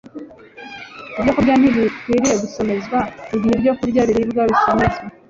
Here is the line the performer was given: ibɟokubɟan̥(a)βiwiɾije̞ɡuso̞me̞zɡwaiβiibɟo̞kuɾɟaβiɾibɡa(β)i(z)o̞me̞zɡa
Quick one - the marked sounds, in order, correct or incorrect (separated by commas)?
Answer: incorrect, correct, incorrect